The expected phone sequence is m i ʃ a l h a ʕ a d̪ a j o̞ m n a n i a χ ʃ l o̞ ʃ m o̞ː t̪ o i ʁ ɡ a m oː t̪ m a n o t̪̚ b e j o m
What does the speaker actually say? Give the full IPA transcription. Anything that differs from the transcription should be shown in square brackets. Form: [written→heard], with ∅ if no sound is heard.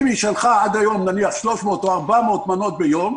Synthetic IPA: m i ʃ a l [h→χ] a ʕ a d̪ a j o̞ m n a n i a χ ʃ l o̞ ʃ m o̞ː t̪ o [i→a] ʁ [ɡ→b] a m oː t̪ m a n o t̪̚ b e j o m